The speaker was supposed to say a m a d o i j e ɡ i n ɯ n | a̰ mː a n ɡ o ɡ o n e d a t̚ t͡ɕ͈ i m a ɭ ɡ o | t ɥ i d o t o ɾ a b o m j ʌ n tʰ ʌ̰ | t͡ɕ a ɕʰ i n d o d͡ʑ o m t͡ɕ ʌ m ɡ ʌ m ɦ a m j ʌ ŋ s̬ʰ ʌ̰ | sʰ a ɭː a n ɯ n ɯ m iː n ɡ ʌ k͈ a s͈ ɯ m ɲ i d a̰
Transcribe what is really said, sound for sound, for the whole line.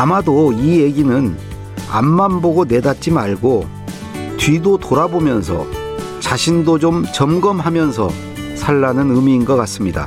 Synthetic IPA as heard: a m a d o i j e ɡ i n ɯ n | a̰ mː a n b o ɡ o n e d a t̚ t͡ɕ͈ i m a ɭ ɡ o | t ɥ i d o t o ɾ a b o m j ʌ n sʰ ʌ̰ | t͡ɕ a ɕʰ i n d o d͡ʑ o m t͡ɕ ʌ m ɡ ʌ m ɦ a m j ʌ n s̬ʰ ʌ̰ | sʰ a ɭː a n ɯ n ɯ m iː n ɡ ʌ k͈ a s͈ ɯ m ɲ i d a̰